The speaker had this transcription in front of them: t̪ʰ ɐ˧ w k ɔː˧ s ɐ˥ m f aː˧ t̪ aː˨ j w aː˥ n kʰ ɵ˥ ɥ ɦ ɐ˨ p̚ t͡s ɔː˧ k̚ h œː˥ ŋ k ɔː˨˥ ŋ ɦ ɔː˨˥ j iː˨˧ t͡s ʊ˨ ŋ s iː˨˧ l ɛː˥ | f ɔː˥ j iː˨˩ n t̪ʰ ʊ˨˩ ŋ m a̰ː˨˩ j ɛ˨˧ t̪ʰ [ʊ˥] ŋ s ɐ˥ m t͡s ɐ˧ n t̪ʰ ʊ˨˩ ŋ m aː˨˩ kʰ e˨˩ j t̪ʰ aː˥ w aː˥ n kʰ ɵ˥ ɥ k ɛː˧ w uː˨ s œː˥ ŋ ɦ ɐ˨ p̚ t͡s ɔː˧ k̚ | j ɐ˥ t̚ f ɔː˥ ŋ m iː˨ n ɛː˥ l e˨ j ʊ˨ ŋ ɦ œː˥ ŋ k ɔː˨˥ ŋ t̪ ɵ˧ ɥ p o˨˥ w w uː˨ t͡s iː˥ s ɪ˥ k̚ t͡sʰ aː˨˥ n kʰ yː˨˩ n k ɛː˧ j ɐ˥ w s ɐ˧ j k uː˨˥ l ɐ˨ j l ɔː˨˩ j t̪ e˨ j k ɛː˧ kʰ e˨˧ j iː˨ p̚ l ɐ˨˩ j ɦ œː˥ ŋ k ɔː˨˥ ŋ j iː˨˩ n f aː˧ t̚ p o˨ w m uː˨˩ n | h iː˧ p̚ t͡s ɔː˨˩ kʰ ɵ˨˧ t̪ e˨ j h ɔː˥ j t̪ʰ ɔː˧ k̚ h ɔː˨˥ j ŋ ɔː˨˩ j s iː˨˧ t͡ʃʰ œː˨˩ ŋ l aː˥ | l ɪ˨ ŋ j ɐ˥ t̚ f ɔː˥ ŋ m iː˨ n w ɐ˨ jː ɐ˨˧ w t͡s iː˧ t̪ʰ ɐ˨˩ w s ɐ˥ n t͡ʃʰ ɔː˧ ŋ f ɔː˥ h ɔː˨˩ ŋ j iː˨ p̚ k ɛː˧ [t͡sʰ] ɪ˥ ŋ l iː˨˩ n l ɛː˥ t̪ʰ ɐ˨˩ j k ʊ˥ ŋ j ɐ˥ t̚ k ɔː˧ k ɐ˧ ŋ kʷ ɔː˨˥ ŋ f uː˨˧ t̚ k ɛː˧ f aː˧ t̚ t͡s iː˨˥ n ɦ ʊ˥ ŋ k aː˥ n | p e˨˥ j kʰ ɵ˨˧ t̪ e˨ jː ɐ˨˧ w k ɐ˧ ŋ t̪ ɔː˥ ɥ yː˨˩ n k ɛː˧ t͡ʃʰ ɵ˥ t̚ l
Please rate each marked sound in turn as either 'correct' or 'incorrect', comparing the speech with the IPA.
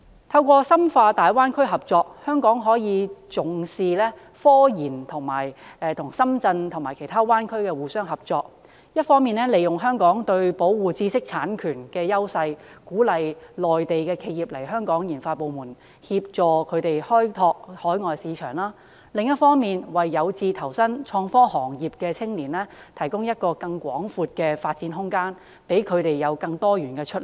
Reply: incorrect, correct

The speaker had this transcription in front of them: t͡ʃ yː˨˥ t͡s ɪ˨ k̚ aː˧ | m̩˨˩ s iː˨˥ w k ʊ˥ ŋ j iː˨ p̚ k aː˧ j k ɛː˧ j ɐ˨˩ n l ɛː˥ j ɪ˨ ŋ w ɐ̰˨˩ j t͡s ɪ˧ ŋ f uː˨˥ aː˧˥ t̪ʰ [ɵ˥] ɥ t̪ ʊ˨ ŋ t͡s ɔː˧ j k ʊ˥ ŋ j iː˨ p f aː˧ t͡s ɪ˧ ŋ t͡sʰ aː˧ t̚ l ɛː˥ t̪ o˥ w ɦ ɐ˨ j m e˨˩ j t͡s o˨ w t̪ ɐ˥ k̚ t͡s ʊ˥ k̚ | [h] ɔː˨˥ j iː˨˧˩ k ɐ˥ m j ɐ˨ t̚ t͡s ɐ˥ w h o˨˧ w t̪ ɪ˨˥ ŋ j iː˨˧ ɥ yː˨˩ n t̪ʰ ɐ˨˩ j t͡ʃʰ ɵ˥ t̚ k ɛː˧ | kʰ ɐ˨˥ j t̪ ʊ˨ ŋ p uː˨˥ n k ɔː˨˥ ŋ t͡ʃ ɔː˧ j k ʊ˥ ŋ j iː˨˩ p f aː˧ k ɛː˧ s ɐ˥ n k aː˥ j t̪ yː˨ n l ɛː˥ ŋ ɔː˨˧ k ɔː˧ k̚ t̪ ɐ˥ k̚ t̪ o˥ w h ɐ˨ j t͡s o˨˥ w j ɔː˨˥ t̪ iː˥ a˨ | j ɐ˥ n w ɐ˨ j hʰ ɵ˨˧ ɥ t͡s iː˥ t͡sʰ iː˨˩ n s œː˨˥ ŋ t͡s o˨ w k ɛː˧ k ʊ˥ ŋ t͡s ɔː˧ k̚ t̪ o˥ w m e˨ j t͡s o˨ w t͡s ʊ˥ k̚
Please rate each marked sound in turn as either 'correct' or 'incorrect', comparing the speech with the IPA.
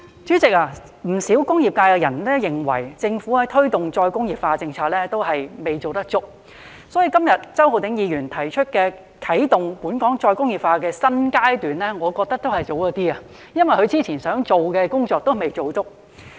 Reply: correct, incorrect

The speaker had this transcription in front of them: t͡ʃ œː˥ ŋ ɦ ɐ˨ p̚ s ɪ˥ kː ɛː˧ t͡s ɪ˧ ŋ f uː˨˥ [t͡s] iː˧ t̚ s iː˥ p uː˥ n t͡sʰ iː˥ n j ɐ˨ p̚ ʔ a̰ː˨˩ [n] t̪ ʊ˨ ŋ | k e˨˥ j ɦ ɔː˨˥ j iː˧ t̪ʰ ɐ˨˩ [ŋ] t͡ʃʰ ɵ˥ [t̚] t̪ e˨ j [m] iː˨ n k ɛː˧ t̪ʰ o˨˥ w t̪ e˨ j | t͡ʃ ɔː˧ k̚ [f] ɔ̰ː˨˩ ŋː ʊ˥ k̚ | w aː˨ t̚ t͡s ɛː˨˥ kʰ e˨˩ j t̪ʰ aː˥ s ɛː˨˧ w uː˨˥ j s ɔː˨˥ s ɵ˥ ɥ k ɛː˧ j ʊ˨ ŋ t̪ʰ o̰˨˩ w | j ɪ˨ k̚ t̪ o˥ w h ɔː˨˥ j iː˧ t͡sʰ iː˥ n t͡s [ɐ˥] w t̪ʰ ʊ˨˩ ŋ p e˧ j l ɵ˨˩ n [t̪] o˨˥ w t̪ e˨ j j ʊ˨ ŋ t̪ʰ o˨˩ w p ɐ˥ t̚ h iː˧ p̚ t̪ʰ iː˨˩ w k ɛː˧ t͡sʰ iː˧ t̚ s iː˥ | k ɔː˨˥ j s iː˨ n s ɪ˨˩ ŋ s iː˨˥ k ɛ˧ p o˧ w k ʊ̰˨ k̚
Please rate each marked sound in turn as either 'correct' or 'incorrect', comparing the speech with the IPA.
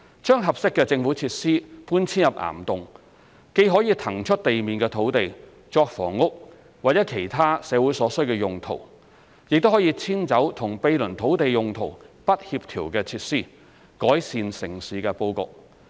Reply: incorrect, incorrect, correct, correct, correct, correct, incorrect, incorrect

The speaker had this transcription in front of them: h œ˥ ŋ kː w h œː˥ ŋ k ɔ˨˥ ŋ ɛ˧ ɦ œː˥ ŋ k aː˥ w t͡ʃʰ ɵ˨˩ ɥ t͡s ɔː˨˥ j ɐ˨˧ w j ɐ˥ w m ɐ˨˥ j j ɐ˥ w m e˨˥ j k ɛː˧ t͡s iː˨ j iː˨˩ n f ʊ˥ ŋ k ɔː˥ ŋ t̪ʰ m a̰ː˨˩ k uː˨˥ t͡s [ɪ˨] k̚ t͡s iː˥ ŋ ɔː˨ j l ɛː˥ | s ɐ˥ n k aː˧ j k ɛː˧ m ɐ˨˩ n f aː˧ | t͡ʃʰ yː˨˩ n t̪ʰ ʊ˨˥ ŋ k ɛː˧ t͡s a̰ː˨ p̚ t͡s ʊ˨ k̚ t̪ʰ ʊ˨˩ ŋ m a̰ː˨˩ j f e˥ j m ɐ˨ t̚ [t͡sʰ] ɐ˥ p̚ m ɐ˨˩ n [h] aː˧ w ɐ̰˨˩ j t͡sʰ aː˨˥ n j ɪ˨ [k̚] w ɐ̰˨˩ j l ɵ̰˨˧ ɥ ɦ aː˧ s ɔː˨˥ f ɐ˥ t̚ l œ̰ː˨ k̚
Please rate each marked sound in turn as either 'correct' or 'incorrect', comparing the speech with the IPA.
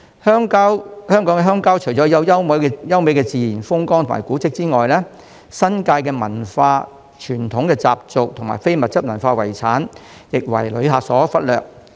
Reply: incorrect, incorrect, incorrect, correct

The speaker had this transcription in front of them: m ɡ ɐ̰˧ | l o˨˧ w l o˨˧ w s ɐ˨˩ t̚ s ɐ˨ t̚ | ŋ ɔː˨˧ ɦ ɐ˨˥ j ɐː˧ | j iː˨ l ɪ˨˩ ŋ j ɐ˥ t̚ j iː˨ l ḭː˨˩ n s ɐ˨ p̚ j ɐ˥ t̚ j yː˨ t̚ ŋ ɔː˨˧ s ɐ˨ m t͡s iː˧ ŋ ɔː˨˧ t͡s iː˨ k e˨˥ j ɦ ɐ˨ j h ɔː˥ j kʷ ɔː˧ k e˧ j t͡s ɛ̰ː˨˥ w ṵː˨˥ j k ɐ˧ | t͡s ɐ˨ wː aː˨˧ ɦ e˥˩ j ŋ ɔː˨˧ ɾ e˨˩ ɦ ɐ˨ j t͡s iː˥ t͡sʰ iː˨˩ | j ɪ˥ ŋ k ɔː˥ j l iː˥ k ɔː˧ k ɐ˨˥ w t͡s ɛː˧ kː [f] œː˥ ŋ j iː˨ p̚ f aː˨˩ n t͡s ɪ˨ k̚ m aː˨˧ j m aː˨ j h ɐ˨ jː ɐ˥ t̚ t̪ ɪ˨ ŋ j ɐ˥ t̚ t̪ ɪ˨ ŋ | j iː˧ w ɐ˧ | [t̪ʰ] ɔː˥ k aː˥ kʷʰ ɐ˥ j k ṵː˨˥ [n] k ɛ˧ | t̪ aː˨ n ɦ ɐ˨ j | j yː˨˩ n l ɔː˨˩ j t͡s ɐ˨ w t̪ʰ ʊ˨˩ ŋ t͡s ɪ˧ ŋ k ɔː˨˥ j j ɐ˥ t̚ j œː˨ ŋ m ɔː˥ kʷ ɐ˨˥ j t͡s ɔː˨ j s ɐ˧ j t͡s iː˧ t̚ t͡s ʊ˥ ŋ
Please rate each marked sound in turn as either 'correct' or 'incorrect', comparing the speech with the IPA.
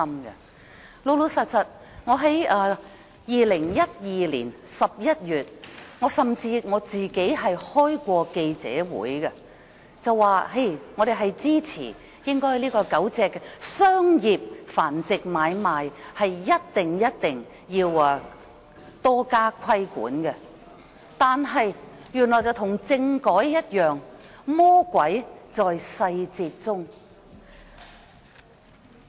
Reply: incorrect, incorrect, correct

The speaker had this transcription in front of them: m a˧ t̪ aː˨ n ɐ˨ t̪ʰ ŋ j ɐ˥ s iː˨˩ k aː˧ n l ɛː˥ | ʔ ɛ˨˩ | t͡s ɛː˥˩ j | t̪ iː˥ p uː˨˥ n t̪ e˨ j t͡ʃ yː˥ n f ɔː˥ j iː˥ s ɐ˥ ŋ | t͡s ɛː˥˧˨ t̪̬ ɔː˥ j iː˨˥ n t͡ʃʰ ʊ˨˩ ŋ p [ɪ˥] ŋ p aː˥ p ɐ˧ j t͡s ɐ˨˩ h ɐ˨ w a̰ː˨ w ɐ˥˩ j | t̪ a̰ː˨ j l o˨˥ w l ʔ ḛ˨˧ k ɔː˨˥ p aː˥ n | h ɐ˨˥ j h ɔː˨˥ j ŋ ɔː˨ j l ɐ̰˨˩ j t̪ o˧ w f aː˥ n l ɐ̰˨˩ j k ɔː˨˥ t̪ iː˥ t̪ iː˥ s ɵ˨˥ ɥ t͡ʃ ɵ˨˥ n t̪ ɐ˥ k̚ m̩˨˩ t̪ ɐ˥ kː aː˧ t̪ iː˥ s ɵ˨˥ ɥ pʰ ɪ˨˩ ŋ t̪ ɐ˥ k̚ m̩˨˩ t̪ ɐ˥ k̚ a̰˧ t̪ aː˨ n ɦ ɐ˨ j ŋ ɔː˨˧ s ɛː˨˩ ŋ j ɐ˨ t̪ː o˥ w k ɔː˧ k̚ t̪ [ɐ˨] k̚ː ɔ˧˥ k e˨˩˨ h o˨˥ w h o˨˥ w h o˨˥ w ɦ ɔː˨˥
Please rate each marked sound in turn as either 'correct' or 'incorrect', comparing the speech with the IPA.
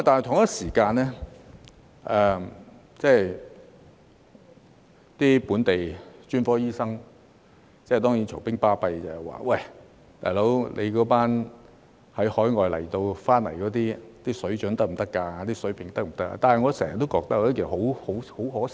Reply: correct, incorrect

